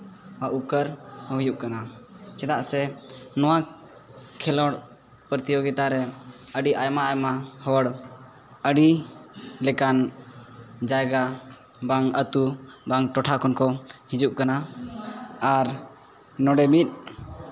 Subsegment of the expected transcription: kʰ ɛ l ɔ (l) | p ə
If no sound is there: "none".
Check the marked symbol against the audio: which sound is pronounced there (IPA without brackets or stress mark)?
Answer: ɽ